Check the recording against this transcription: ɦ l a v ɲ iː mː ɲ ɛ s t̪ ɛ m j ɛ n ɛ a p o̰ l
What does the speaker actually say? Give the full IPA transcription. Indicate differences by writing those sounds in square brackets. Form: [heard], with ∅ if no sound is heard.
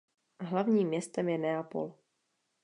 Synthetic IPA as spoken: ɦ l a v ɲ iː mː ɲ ɛ s t̪ ɛ m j ɛ n ɛ a p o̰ l